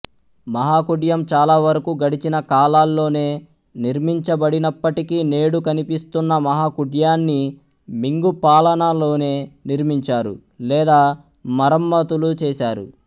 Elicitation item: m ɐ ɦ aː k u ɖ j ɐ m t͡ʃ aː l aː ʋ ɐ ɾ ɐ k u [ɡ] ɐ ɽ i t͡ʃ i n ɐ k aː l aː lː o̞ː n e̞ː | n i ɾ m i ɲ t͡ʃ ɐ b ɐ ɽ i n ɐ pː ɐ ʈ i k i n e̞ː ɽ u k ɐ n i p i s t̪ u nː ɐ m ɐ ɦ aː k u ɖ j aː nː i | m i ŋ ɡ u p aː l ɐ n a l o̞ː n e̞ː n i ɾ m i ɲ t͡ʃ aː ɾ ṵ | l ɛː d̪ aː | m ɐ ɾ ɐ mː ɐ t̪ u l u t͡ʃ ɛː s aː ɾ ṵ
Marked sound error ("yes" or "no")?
no